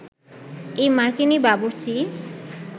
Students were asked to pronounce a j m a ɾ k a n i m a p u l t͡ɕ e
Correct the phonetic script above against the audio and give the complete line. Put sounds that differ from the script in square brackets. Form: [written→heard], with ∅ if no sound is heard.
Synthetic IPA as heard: [a→e] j m a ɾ k [a→i] n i [m→b] a [p→b] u [l→ɾ] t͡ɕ [e→i]